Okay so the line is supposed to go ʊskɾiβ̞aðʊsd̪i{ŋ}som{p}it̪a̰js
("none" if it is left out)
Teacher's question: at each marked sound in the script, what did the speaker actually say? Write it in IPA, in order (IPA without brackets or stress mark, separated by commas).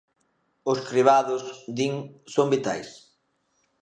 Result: ŋ, b